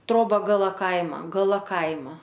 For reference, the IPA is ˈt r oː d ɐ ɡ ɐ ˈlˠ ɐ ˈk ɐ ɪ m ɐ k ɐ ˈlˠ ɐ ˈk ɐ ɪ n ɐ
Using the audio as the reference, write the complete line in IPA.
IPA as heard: ˈt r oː b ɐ ɡ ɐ ˈlˠ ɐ ˈk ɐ ɪ m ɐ ɡ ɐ ˈlˠ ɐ ˈk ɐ ɪ m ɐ